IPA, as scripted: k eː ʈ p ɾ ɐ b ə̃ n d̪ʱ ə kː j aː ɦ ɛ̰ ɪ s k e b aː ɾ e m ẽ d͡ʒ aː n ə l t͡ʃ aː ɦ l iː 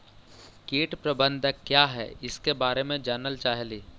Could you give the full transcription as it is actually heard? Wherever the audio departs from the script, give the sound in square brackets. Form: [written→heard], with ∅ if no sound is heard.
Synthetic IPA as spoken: k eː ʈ p ɾ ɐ b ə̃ n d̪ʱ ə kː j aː ɦ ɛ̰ ɪ s k e b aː ɾ e m ẽ d͡ʒ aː n ə l t͡ʃ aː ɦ l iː